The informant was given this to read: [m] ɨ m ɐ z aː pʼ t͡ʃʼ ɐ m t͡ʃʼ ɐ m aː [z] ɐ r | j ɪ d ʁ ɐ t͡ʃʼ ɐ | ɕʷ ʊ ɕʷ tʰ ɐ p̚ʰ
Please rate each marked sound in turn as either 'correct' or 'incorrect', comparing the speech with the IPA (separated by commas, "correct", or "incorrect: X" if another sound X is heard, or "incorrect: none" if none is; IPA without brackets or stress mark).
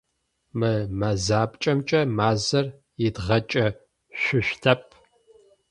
correct, correct